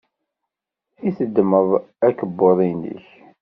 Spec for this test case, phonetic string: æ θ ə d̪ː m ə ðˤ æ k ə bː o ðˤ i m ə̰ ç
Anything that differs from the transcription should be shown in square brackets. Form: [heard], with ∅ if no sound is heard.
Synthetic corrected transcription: [i] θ ə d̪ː m ə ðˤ æ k ə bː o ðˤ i [n] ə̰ ç